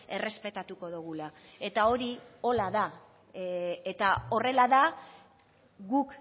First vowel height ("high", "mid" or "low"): mid